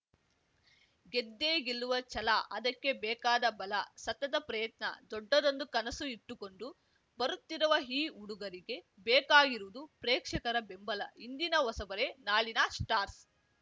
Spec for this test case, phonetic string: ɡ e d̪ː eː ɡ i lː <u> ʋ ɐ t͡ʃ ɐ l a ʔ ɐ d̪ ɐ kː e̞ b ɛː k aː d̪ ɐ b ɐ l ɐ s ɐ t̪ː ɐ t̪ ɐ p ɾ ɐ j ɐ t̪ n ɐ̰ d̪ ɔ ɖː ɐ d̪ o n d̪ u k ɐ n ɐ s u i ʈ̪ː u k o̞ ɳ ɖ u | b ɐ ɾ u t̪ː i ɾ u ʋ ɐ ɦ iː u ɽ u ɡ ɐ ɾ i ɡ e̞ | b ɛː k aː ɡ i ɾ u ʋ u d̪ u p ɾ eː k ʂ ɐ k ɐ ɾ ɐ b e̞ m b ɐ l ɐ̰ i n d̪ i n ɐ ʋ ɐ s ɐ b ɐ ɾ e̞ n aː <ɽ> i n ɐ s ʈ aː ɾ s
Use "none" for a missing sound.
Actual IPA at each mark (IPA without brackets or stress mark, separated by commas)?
u, ɭ